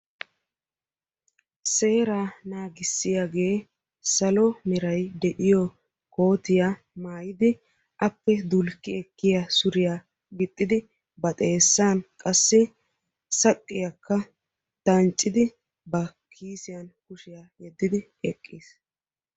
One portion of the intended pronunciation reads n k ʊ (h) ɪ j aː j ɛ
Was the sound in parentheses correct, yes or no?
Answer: no